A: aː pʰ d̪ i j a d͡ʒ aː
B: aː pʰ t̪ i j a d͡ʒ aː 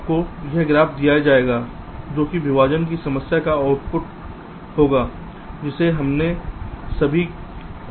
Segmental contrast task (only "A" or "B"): A